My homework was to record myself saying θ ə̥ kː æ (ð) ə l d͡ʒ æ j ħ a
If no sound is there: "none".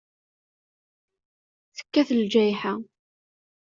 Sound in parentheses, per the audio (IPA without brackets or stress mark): θ